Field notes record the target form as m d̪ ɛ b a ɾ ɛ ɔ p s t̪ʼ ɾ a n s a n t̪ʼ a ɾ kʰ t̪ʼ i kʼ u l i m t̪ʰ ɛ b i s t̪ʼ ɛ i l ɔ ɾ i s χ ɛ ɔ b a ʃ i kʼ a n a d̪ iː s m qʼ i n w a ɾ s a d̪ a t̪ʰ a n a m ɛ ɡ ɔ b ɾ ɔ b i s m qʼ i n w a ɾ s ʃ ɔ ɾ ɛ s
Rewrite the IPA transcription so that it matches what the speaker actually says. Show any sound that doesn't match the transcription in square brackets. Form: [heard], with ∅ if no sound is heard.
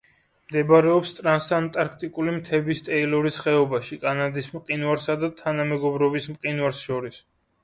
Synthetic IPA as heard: m d̪ ɛ b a ɾ ɛ ɔ p s t̪ʼ ɾ a n s a n t̪ʼ a ɾ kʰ t̪ʼ i kʼ u l i m t̪ʰ ɛ b i s t̪ʼ ɛ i l ɔ ɾ i s χ ɛ ɔ b a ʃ i kʼ a n a d̪ [i] s m qʼ i n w a ɾ s a d̪ a t̪ʰ a n a m ɛ ɡ ɔ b ɾ ɔ b i s m qʼ i n w a ɾ s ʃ ɔ ɾ [i] s